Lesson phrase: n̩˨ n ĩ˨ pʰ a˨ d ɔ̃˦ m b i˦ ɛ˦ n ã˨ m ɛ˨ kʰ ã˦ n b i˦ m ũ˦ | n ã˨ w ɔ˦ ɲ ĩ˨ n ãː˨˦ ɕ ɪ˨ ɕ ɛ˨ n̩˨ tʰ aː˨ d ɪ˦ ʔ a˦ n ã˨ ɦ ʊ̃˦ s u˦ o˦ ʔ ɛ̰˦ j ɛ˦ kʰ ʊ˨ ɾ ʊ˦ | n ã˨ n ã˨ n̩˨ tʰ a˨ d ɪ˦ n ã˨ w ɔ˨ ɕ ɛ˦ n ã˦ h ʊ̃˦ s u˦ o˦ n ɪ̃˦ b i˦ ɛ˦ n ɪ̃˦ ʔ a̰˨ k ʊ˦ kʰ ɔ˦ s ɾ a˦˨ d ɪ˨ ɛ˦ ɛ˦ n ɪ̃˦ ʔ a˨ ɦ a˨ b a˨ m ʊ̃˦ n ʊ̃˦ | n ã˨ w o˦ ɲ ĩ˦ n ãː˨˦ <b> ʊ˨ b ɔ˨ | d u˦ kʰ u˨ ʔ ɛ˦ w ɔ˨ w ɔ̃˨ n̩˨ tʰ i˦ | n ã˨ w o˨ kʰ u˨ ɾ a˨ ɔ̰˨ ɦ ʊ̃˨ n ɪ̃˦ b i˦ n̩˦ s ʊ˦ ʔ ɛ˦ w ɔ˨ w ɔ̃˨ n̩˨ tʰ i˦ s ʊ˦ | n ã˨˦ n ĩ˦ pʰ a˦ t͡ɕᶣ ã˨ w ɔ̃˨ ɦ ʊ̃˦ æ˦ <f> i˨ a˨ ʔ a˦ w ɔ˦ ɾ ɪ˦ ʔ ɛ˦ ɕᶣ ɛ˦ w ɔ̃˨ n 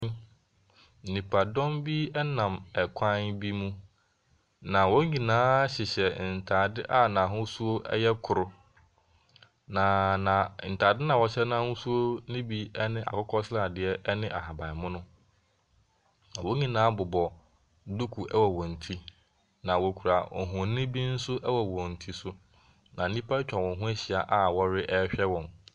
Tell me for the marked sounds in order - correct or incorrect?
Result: correct, incorrect: ɕ

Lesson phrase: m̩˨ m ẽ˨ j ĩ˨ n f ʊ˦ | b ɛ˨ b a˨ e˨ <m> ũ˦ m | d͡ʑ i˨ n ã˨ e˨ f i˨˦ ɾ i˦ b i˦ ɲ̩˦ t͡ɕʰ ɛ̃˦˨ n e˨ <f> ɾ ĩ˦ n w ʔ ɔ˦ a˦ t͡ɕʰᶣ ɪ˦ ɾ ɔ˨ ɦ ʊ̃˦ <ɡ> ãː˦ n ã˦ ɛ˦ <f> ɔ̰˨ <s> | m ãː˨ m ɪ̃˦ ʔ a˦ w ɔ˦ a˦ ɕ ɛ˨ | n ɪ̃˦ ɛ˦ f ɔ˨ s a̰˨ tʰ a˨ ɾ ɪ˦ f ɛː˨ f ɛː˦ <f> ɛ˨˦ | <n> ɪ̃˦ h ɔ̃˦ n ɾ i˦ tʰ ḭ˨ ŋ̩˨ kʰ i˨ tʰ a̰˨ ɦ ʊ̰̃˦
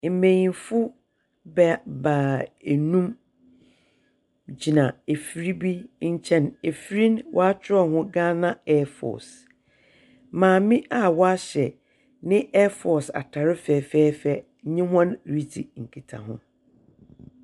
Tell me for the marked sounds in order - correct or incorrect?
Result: incorrect: n, correct, correct, correct, correct, correct, incorrect: ɲ

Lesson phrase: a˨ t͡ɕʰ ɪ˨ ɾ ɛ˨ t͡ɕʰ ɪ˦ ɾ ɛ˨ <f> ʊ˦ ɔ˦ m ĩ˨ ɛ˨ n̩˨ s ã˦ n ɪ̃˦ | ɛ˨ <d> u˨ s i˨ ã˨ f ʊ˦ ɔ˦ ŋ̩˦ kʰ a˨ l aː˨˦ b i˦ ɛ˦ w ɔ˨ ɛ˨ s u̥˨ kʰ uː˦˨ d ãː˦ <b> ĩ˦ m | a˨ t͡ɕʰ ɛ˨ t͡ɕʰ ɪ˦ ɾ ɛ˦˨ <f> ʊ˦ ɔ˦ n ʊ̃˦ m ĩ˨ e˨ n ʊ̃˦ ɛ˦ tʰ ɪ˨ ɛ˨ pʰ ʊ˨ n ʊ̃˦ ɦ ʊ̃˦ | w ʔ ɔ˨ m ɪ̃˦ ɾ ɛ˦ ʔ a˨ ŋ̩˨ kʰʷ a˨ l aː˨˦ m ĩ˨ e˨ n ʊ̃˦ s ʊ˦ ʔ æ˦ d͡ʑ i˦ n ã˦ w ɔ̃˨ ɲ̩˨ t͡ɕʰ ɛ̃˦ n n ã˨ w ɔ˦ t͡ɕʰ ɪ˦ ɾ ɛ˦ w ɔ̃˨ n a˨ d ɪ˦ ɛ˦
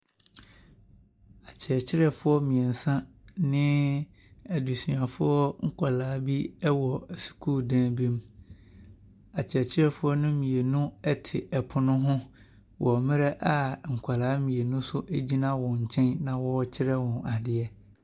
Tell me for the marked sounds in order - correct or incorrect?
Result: correct, correct, correct, correct

